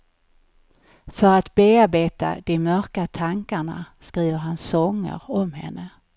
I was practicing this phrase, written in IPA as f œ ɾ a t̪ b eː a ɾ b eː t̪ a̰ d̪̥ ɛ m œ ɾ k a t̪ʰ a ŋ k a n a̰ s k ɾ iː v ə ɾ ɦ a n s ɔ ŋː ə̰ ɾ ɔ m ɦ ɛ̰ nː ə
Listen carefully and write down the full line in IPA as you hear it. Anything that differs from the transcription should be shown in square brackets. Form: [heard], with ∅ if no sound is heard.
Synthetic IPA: f œ ɾ a t̪ b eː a ɾ b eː t̪ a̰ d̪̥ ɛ m œ ɾ k a t̪ʰ a ŋ k a [ɳ] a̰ s k ɾ iː v ə ɾ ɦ a n s ɔ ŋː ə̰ ɾ ɔ m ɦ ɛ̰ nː ə